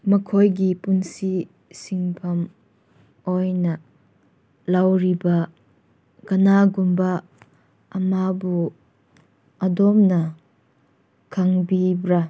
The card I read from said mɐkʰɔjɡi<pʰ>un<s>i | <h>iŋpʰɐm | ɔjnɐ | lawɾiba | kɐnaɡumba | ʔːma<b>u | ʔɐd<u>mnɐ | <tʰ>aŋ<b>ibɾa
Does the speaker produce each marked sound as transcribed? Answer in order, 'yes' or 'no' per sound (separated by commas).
no, yes, no, yes, no, no, yes